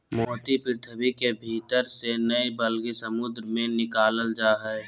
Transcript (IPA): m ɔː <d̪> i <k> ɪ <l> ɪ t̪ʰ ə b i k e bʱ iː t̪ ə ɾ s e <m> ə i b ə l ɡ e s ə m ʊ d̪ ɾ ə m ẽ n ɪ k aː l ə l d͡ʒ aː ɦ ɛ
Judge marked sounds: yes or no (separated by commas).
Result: no, no, no, no